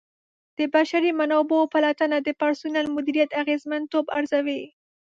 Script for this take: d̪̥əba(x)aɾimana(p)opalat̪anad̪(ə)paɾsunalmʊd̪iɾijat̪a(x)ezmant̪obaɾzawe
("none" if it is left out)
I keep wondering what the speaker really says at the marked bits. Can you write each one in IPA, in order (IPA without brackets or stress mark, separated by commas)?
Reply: ʃ, b, ə, ɣ